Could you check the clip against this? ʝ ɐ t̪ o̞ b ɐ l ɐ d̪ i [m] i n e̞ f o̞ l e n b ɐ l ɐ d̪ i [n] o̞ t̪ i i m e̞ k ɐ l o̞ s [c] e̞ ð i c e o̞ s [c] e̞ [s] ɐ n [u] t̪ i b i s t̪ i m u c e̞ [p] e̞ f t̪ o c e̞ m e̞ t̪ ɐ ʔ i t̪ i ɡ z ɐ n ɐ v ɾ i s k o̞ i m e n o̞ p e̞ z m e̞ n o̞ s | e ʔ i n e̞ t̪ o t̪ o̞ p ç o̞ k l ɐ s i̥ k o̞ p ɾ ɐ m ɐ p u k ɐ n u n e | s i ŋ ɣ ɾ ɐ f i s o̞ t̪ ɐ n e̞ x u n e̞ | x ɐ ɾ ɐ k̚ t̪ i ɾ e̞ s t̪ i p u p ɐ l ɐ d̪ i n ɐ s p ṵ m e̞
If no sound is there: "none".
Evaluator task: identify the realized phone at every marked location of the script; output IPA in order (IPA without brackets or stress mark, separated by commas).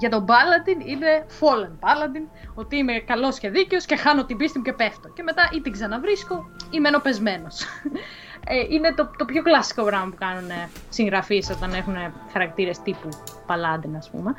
n, n, c, c, x, o, p